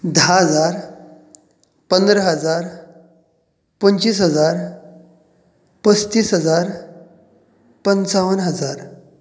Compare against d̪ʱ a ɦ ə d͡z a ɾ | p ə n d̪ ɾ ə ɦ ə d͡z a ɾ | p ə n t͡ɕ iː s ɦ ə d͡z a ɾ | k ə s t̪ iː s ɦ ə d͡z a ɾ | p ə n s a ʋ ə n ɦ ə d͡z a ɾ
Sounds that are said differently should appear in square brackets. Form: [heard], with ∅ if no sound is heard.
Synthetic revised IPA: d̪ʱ a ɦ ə d͡z a ɾ | p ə n d̪ ɾ ə ɦ ə d͡z a ɾ | p ə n t͡ɕ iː s ɦ ə d͡z a ɾ | [p] ə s t̪ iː s ɦ ə d͡z a ɾ | p ə n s a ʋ ə n ɦ ə d͡z a ɾ